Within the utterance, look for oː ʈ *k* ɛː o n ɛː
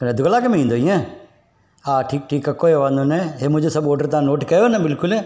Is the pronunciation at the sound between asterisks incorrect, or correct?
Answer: correct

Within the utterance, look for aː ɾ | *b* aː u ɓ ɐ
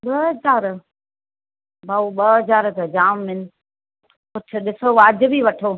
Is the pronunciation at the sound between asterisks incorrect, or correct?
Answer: correct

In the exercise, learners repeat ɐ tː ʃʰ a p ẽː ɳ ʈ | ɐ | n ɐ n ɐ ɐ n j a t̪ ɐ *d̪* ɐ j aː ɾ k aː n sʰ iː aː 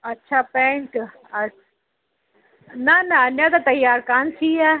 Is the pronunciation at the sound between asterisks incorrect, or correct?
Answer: incorrect: t̪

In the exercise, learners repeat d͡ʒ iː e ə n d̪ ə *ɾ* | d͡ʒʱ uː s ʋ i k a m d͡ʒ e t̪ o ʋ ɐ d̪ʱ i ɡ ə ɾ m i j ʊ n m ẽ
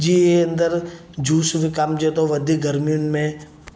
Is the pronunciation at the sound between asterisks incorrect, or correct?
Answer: correct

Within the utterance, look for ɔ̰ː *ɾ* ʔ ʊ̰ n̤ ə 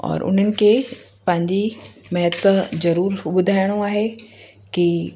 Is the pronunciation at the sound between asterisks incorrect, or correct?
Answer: correct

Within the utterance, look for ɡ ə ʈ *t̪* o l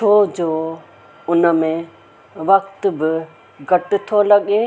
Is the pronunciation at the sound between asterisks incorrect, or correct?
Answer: incorrect: t̪ʰ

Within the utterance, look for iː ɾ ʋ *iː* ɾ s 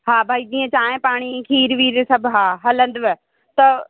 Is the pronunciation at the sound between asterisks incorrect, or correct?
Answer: correct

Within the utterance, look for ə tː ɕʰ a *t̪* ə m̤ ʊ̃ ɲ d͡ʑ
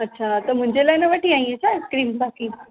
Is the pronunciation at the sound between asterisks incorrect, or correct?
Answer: correct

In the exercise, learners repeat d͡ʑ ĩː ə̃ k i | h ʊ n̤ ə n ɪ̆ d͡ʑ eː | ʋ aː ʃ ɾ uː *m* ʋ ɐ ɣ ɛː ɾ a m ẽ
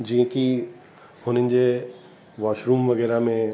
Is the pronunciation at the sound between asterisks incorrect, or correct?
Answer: correct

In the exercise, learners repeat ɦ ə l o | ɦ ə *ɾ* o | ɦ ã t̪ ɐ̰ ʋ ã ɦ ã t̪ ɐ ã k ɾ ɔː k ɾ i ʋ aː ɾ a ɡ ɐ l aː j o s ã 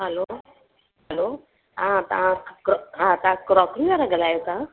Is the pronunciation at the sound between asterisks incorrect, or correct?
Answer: incorrect: l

